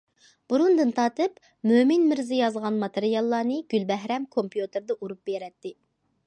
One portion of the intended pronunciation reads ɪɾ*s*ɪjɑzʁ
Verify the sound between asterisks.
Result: incorrect: z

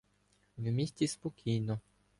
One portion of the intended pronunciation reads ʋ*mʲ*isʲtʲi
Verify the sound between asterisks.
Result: correct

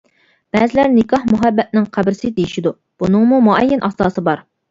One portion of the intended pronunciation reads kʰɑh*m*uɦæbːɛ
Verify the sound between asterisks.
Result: correct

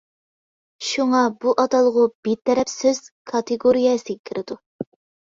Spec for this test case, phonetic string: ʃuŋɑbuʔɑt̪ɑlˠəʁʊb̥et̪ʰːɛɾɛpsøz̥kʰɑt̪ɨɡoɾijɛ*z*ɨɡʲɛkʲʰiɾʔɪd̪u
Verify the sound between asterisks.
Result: incorrect: s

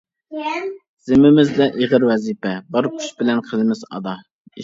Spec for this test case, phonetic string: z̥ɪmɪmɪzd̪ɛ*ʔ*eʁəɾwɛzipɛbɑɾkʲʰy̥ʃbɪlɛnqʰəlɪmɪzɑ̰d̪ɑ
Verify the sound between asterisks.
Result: correct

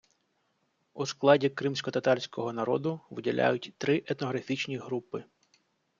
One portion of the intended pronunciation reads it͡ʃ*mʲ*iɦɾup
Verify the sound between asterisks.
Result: incorrect: nʲ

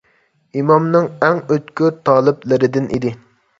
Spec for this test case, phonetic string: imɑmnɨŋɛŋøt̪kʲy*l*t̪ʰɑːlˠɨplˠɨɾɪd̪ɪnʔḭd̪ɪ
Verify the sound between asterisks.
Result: incorrect: ɾ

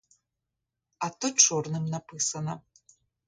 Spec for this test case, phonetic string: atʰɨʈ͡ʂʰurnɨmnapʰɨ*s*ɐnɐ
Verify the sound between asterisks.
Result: correct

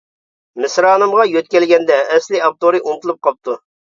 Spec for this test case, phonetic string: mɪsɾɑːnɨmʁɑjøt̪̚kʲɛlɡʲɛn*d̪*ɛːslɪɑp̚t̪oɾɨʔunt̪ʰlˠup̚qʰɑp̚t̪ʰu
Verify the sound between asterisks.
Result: correct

